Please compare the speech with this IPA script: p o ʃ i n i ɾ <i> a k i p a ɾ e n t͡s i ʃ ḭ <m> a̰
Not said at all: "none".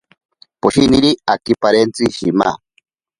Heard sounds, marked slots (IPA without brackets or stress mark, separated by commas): i, m